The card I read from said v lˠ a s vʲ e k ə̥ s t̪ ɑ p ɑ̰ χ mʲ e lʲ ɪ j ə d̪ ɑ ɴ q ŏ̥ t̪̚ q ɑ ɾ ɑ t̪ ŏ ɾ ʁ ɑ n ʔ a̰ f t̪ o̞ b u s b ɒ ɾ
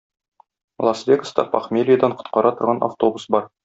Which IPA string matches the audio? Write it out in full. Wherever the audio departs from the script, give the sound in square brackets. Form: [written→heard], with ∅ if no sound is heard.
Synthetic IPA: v lˠ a s vʲ e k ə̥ s t̪ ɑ p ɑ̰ χ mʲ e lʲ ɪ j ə d̪ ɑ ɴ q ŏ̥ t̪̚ q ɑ ɾ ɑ t̪ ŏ ɾ ʁ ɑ n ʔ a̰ f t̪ o̞ b u s b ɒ ɾ